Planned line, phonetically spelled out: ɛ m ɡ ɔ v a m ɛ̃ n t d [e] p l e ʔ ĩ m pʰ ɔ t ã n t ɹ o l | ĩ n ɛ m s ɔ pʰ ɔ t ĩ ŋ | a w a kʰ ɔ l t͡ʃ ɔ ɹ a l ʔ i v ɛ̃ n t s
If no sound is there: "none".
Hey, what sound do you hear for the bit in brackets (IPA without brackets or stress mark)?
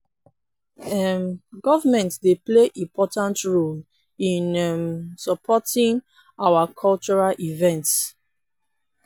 e